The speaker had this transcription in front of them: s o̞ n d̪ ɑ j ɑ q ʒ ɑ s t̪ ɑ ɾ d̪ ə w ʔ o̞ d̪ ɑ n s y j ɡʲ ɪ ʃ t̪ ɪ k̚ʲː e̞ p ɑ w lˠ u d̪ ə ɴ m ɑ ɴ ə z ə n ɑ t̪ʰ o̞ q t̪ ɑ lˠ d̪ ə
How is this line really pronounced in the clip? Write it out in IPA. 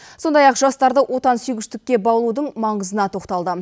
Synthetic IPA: s o̞ n d̪ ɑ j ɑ q ʒ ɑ s t̪ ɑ ɾ d̪ ə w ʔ o̞ t̪ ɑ n s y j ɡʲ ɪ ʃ t̪ ɪ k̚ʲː e̞ b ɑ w lˠ u d̪ ə ɴ m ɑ ɴ ə z ə n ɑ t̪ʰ o̞ q t̪ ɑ lˠ d̪ ə